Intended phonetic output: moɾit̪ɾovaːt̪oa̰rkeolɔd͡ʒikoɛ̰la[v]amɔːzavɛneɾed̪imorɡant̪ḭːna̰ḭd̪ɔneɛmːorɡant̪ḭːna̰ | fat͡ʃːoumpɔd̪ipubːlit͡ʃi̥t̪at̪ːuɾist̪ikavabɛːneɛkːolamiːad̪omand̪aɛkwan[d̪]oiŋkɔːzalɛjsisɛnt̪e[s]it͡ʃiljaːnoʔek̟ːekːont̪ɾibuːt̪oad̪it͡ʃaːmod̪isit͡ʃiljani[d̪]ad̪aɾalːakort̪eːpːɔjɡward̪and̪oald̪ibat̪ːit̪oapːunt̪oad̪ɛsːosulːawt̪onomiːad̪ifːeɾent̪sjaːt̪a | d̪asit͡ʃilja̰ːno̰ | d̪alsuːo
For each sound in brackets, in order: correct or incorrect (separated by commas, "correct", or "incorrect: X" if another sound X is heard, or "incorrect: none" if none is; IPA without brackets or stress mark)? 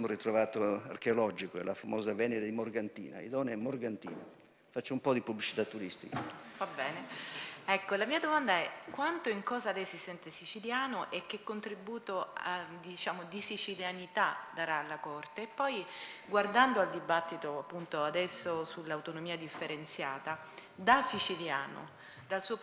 incorrect: f, incorrect: t̪, correct, incorrect: t̪